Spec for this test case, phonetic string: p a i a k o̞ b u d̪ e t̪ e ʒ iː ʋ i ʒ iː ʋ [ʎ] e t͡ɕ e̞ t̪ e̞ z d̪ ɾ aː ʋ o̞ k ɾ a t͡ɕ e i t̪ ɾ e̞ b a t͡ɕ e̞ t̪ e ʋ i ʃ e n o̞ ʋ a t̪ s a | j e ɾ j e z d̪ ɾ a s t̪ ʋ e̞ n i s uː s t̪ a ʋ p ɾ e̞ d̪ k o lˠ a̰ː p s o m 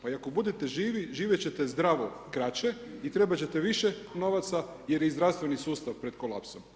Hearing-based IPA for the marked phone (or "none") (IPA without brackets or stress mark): j